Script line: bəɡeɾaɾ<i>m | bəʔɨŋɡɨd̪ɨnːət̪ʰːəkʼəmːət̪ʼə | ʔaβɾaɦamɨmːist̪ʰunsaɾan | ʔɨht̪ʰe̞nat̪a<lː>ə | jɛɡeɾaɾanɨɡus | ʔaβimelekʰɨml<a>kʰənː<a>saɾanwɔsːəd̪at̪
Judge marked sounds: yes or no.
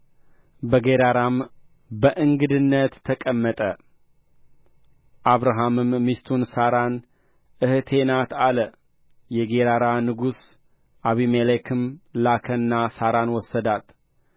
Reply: no, no, yes, yes

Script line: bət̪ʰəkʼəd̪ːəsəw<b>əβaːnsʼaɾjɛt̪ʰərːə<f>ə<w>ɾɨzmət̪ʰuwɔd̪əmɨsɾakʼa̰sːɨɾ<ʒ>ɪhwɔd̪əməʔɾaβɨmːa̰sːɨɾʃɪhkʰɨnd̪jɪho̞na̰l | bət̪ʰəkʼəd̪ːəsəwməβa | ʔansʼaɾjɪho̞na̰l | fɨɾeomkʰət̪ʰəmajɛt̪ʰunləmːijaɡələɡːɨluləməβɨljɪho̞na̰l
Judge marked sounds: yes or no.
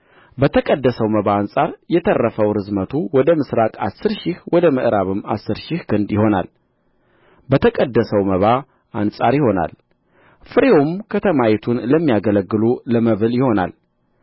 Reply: no, yes, yes, no

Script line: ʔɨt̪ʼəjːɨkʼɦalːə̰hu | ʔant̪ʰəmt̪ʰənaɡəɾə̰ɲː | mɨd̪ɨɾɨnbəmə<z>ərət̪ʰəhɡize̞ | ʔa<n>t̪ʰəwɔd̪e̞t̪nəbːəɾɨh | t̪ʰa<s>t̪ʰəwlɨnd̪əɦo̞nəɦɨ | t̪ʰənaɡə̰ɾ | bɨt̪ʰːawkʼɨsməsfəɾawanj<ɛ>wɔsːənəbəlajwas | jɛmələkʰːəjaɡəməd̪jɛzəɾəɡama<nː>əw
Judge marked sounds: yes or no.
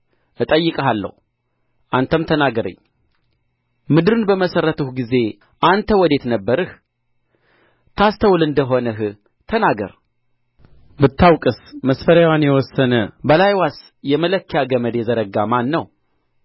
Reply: no, yes, yes, yes, yes

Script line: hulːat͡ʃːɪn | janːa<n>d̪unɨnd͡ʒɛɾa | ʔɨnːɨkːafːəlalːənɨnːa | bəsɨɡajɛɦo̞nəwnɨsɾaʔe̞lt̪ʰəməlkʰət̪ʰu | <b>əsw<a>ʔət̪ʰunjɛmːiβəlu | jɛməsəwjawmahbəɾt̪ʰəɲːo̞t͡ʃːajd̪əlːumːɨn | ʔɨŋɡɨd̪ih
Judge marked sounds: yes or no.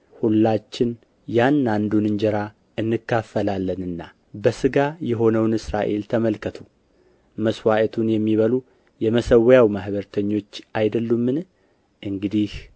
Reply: yes, no, yes

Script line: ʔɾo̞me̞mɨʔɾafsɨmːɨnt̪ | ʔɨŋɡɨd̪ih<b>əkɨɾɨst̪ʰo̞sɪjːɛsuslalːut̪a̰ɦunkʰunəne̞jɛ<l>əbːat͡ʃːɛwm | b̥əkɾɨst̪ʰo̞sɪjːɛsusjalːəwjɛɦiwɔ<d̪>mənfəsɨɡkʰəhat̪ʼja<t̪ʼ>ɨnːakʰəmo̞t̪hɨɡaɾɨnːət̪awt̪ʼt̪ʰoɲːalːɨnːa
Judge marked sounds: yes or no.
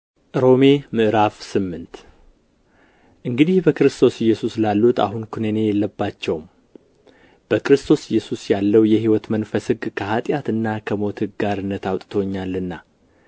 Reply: yes, no, no, no

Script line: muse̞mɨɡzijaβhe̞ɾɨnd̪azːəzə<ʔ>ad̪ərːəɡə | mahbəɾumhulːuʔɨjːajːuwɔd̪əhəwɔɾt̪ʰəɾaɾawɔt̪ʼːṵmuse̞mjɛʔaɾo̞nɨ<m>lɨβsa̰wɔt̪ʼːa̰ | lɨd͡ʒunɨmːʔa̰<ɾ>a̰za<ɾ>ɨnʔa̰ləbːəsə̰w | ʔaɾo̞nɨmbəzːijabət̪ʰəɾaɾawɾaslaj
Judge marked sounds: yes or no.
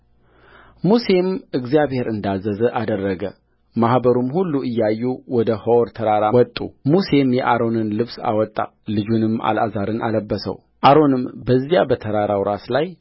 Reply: yes, no, no, yes

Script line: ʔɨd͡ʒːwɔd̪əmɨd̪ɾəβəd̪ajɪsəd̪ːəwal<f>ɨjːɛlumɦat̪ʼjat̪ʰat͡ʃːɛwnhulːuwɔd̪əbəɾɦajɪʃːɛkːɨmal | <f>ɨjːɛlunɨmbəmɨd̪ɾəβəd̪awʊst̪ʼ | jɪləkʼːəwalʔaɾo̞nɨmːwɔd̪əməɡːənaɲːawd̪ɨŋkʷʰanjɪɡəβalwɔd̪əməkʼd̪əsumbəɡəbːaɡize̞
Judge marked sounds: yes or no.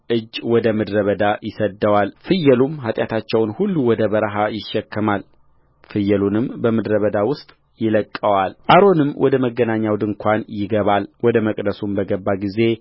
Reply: yes, yes

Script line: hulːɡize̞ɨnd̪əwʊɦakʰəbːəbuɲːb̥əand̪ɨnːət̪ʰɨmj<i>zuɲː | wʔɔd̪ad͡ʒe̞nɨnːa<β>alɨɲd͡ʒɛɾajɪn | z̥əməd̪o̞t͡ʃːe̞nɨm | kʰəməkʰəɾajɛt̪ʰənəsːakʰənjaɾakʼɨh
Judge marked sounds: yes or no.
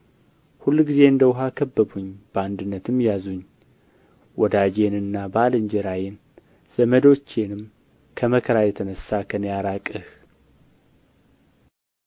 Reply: no, no

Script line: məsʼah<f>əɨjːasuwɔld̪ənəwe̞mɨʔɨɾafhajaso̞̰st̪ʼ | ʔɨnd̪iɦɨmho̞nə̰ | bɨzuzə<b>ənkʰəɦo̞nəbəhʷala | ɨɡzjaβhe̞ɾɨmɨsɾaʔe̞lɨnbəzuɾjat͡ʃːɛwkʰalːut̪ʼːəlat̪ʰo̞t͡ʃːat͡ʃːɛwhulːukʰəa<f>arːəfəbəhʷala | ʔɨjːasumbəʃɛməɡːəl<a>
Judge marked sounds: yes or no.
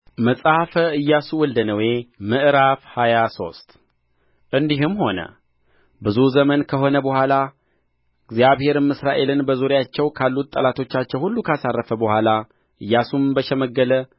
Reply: yes, no, no, no

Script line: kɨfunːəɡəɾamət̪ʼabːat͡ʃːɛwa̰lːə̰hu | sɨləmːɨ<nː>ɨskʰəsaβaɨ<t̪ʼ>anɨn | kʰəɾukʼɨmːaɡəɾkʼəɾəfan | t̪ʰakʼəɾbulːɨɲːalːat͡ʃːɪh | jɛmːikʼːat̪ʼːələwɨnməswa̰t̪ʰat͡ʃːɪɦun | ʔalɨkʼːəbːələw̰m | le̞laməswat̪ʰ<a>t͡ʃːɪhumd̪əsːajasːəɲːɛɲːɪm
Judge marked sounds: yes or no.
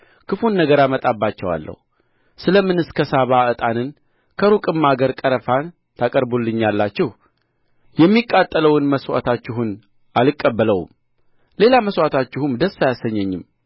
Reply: no, yes, yes

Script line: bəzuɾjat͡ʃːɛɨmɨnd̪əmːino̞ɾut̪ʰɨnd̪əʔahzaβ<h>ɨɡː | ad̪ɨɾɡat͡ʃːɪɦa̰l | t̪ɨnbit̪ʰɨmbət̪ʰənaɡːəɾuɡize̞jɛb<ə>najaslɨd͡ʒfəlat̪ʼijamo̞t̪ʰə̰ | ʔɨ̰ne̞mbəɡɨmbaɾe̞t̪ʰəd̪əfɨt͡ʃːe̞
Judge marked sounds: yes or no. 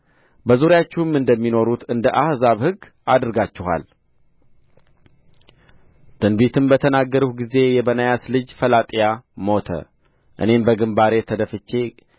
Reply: yes, yes

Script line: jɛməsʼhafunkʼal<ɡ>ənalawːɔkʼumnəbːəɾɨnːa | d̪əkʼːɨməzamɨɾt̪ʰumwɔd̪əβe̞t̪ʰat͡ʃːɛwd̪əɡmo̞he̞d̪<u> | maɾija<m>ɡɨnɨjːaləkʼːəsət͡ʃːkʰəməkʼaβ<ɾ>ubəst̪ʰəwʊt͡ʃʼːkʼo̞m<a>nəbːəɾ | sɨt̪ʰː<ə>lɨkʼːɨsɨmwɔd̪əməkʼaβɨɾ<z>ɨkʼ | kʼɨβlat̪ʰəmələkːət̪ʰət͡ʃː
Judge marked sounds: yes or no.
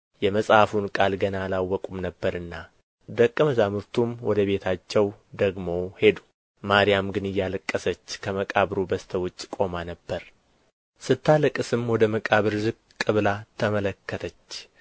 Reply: yes, yes, yes, yes, yes, no, yes

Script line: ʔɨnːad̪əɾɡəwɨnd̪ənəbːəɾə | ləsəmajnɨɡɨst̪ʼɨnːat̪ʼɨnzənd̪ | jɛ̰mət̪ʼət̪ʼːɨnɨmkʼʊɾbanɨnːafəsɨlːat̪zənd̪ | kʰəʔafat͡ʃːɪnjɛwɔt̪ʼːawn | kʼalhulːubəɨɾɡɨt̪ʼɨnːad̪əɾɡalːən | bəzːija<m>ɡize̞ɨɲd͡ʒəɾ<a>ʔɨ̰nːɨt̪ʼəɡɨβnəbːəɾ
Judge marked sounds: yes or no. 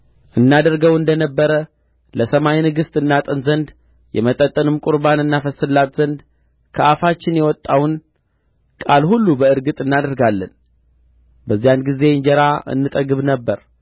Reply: no, yes

